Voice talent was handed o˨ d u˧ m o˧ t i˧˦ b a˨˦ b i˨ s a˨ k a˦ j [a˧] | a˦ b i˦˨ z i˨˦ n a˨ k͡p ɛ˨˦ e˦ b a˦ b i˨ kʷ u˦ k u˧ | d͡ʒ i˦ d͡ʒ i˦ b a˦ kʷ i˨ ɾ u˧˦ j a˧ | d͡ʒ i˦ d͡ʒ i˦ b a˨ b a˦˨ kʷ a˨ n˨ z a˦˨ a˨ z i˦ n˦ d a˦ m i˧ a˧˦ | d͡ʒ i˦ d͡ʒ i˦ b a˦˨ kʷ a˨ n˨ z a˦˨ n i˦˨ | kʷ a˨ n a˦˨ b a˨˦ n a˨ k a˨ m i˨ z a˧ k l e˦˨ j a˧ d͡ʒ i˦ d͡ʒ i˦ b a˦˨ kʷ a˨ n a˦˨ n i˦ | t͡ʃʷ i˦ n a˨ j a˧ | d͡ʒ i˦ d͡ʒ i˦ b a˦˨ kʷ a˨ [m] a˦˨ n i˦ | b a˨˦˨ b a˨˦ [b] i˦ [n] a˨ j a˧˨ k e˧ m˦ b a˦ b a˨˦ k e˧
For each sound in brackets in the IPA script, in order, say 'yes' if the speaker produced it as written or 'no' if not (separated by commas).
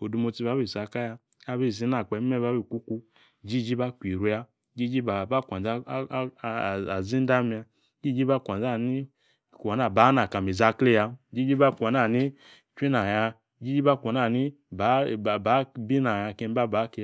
yes, no, yes, yes